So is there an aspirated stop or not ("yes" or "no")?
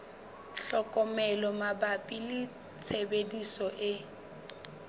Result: yes